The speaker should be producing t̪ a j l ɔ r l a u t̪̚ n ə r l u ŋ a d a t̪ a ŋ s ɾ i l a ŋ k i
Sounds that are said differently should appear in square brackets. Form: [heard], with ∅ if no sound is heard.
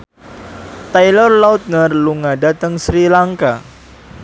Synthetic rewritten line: t̪ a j l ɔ r l a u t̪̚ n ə r l u ŋ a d a t̪ [ə] ŋ s ɾ i l a ŋ k [a]